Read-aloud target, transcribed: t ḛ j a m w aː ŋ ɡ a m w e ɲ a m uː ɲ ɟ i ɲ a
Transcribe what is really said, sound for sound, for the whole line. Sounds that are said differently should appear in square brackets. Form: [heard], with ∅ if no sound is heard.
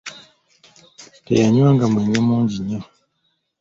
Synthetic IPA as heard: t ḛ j a [ɲ] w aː ŋ ɡ a m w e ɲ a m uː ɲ ɟ i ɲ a